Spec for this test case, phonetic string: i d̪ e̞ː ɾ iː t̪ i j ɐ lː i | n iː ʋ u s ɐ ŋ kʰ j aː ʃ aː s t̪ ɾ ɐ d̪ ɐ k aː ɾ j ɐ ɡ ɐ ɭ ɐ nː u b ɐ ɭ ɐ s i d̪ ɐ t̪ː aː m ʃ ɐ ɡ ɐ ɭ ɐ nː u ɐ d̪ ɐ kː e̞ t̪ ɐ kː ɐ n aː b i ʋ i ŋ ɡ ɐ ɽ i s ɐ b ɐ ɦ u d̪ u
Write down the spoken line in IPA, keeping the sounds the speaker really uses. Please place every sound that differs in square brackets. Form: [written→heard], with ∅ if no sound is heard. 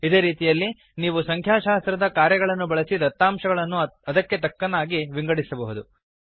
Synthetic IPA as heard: i d̪ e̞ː ɾ iː t̪ i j ɐ lː i | n iː ʋ u s ɐ ŋ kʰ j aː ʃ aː s t̪ ɾ ɐ d̪ ɐ k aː ɾ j ɐ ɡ ɐ ɭ ɐ nː u b ɐ ɭ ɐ s i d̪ ɐ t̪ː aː m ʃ ɐ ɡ ɐ ɭ ɐ nː u ɐ d̪ ɐ kː e̞ t̪ ɐ kː ɐ n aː [b→ɡ] i ʋ i ŋ ɡ ɐ ɽ i s ɐ b ɐ ɦ u d̪ u